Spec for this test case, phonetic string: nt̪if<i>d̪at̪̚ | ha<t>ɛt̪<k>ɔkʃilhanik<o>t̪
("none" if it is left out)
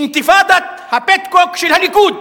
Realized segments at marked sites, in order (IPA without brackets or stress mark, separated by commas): a, p, k, u